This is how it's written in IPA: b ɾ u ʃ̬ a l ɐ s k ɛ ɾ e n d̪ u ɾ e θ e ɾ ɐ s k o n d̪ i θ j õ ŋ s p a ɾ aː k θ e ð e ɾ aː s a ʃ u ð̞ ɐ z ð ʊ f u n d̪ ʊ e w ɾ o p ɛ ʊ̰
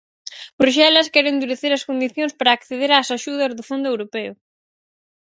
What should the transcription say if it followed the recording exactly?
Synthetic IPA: b ɾ u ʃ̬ ɛ l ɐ s k ɛ ɾ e n d̪ u ɾ e θ e ɾ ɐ s k o n d̪ i θ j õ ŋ s p a ɾ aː k θ e ð e ɾ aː s a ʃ u ð̞ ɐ z ð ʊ f o n d̪ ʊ e w ɾ o p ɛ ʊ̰